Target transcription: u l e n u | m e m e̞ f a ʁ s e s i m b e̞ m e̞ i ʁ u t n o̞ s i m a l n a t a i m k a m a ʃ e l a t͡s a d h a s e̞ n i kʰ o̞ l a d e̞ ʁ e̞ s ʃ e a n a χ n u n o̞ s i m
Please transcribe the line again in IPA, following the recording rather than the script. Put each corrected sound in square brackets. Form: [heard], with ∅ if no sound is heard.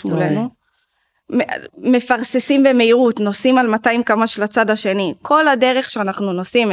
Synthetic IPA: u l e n u | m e m e̞ f a ʁ s e s i m b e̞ m e̞ i ʁ u t n o̞ s i m a l [m] a t a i m k a m a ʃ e l a t͡s a d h a [ʃ] e̞ n i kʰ o̞ l a d e̞ ʁ e̞ [χ] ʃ e a n a χ n u n o̞ s i m